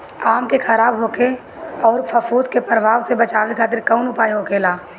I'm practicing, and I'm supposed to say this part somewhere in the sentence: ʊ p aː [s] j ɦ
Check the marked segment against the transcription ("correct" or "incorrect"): incorrect